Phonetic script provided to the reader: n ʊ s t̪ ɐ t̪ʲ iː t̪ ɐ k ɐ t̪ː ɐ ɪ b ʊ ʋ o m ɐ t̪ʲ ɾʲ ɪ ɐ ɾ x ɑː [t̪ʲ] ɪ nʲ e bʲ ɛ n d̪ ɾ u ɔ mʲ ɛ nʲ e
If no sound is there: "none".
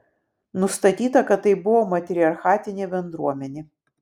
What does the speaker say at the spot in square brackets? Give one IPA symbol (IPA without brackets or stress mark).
t̪ʲ